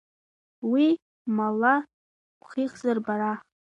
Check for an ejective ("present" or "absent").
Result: absent